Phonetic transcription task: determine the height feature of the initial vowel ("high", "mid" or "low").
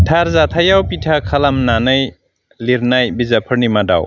low